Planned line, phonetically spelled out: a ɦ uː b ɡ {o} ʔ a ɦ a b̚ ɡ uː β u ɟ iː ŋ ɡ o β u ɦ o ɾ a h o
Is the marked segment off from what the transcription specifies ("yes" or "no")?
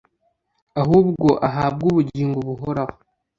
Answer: no